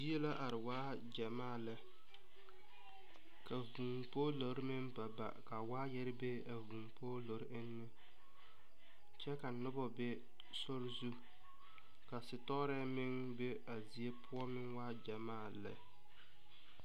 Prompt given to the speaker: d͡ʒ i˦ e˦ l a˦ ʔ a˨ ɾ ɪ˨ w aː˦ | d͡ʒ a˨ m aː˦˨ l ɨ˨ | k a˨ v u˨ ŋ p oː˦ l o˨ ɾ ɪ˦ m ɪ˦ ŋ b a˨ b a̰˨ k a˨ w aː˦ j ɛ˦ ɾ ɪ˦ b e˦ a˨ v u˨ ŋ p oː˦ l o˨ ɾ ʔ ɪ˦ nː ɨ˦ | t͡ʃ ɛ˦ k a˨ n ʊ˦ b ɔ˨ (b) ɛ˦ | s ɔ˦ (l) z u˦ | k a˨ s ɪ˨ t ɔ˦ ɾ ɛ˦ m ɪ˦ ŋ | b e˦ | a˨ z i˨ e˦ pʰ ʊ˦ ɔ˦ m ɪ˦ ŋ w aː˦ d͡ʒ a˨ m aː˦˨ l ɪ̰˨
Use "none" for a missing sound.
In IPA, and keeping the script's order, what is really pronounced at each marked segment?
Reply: b, ɾ

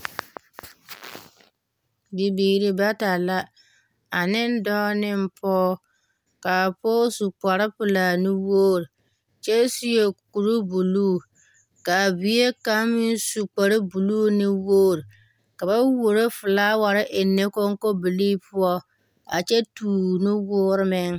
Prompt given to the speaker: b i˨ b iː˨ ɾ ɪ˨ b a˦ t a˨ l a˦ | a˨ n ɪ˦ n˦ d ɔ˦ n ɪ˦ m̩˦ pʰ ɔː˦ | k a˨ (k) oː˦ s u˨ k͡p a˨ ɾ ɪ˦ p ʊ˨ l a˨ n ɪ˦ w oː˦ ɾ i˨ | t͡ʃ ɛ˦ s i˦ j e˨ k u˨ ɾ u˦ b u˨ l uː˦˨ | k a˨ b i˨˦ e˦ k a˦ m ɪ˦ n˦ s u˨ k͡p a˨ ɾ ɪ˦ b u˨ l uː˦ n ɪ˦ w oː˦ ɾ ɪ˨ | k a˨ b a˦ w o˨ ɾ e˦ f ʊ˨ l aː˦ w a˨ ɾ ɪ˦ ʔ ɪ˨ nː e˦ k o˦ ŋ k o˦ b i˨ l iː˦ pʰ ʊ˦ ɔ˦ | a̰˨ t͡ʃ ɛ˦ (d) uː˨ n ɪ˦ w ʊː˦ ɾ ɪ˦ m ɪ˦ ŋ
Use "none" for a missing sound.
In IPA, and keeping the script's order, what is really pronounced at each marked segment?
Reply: p, t

